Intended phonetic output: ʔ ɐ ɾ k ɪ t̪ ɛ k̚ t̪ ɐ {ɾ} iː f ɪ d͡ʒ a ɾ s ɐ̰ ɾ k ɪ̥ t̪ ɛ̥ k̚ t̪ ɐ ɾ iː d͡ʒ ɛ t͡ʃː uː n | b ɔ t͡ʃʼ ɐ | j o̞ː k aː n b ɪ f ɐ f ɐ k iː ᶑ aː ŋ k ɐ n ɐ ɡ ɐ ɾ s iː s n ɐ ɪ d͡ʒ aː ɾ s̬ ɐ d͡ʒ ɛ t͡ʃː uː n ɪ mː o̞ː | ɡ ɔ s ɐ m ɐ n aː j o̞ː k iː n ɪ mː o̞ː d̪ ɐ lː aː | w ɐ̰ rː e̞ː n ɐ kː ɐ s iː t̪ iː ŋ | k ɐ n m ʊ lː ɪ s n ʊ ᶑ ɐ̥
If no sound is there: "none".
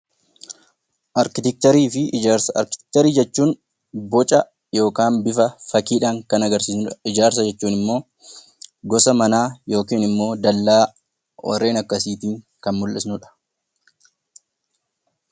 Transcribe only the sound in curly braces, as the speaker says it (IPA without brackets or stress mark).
ɾ